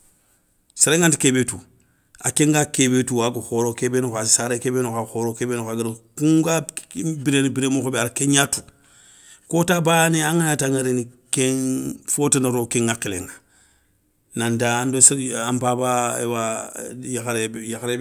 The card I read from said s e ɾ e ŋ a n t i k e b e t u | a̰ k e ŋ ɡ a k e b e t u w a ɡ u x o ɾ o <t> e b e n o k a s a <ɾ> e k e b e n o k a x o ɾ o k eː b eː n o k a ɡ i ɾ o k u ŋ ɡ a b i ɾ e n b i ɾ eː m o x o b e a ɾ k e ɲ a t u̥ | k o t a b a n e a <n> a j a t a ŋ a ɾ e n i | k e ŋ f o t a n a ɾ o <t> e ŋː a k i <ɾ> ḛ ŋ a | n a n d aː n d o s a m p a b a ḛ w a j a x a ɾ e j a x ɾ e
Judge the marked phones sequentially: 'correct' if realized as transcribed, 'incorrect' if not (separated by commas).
incorrect, correct, incorrect, incorrect, incorrect